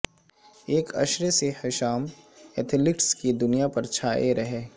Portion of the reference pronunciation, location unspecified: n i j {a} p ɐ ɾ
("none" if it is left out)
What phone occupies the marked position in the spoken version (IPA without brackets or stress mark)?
a